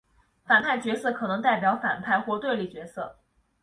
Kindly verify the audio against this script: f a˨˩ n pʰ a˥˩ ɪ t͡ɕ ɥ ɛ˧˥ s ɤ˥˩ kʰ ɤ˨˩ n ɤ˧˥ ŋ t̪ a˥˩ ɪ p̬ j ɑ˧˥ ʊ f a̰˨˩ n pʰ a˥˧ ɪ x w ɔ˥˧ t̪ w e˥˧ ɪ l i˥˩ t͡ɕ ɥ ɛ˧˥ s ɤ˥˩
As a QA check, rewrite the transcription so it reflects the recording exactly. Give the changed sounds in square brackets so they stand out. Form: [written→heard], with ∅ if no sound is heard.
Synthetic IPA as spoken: f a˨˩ n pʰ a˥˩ ɪ t͡ɕ ɥ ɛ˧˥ s ɤ˥˩ kʰ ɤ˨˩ n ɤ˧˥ ŋ t̪ a˥˩ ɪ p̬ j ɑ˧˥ ʊ f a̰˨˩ n pʰ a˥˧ ɪ x w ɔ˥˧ t̪ w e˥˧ ɪ l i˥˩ t͡ɕ ɥ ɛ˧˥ s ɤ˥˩